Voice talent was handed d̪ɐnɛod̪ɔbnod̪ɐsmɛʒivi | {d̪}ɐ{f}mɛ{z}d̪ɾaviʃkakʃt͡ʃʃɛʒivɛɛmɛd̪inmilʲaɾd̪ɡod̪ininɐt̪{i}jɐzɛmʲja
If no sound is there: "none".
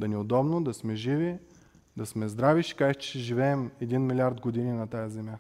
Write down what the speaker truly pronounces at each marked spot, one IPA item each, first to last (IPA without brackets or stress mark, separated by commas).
d̪, s, z, a